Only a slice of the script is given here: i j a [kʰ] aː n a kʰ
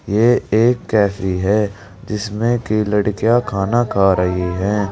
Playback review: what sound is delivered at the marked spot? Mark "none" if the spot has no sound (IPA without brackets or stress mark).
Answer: kʰ